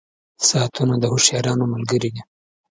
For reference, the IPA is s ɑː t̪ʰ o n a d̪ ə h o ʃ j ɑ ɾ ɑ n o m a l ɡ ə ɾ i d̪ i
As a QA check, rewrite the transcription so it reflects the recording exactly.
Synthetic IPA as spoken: s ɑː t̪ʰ u n a d̪ ə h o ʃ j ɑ ɾ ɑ n o m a l ɡ ə ɾ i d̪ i